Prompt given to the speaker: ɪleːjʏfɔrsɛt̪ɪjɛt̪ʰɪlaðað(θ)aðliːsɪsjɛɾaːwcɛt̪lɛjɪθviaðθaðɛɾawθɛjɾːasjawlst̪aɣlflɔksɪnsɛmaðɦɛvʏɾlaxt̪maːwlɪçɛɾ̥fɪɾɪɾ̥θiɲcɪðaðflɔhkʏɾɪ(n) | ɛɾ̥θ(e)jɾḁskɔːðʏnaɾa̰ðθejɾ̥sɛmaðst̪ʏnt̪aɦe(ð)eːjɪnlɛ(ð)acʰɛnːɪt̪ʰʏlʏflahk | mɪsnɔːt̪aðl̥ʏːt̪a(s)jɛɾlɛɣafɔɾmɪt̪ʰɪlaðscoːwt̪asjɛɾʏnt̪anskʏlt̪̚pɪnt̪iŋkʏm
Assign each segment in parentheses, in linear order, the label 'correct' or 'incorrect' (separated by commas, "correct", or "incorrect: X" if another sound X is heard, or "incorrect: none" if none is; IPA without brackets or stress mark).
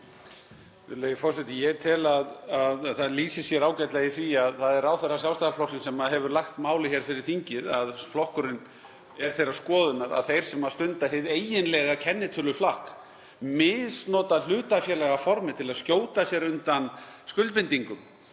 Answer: correct, correct, correct, correct, incorrect: ɣ, incorrect: f